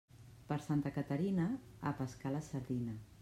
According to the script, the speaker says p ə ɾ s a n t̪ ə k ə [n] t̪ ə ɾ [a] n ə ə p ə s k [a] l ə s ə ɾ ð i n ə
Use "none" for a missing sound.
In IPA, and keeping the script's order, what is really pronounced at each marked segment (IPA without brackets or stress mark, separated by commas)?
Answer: none, i, a